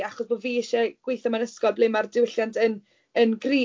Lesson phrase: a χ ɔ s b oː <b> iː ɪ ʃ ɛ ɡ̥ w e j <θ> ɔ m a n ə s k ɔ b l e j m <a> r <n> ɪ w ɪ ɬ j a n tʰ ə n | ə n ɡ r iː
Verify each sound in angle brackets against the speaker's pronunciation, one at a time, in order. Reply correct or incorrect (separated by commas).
incorrect, correct, correct, incorrect